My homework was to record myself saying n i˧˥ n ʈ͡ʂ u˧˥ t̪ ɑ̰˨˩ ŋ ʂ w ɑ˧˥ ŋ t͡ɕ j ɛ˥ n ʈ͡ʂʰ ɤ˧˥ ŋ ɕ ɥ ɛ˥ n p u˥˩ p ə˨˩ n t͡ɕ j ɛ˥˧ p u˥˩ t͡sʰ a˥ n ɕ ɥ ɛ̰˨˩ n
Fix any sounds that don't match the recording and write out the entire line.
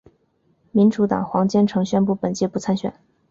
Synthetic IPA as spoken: m i˧˥ n ʈ͡ʂ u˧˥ t̪ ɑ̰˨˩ ŋ x w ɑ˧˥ ŋ t͡ɕ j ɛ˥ n ʈ͡ʂʰ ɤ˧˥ ŋ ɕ ɥ ɛ˥ n p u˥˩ p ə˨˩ n t͡ɕ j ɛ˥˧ p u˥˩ t͡sʰ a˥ n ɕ ɥ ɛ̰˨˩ n